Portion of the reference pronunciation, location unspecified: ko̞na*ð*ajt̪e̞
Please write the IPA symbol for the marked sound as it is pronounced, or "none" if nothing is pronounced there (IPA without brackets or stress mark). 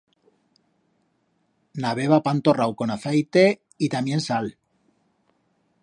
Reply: θ